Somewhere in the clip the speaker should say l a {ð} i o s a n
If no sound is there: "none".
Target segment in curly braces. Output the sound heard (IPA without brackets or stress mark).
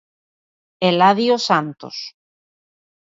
ð